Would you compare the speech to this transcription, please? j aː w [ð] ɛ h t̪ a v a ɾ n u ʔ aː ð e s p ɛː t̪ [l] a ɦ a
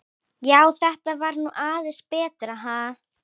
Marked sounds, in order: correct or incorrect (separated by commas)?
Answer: incorrect, incorrect